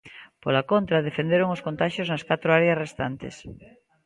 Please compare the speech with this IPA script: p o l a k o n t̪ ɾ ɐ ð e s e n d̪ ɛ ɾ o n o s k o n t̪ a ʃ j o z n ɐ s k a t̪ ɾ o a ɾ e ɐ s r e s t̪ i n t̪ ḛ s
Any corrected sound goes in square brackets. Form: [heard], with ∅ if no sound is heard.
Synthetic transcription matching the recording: p o l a k o n t̪ ɾ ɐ ð e [f] e n d̪ [e] ɾ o [ŋ] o s k o n t̪ a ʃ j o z n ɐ s k a t̪ ɾ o a ɾ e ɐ s r e s t̪ [a] n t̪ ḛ s